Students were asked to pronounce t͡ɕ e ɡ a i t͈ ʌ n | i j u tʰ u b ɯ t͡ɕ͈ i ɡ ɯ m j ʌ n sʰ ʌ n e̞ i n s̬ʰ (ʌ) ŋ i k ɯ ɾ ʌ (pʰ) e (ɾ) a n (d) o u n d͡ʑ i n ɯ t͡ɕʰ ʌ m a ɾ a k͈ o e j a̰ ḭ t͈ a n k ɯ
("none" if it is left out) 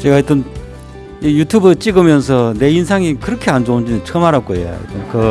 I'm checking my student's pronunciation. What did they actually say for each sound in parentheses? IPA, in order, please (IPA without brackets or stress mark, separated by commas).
a, kʰ, none, d͡ʑ